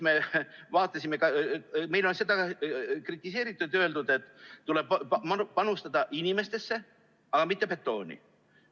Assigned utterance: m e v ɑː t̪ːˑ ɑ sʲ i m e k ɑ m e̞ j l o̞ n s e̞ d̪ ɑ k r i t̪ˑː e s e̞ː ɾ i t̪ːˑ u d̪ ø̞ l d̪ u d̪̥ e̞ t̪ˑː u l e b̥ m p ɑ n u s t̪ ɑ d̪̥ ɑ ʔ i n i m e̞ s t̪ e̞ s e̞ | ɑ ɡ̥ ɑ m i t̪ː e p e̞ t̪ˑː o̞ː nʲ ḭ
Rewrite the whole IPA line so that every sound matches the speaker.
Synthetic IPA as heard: m e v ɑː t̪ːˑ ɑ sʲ i m e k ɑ m e̞ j l o̞ n s e̞ d̪ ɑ k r i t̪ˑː i s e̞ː ɾ i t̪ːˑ u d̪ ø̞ l d̪ u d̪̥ e̞ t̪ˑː u l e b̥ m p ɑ n u s t̪ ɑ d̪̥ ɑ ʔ i n i m e̞ s t̪ e̞ sː e̞ | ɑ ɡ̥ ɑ m i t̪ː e p e̞ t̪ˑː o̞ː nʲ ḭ